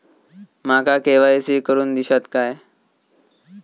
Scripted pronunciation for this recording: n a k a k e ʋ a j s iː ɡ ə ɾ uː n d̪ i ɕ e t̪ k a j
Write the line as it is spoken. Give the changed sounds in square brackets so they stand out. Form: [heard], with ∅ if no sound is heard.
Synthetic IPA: [m] a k a k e ʋ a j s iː [k] ə ɾ uː n d̪ i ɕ [a] t̪ k a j